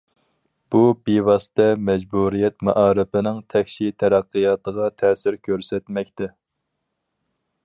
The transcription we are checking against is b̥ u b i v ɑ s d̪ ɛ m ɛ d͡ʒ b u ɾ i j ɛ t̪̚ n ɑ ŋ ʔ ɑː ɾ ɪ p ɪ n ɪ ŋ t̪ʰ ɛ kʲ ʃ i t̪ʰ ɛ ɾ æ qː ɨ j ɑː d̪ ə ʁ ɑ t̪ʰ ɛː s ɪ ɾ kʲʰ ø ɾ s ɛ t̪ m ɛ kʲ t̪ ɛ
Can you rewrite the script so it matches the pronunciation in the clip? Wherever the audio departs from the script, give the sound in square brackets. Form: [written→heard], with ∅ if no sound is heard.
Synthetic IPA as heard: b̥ u b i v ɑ s [d̪→t̪] ɛ m ɛ d͡ʒ b u ɾ i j ɛ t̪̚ [n→m] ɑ [ŋ→∅] ʔ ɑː ɾ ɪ p ɪ n ɪ ŋ t̪ʰ ɛ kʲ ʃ i t̪ʰ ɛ ɾ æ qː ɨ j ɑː [d̪→t̪] ə ʁ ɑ t̪ʰ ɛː s ɪ ɾ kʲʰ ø ɾ s ɛ t̪ m ɛ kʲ t̪ ɛ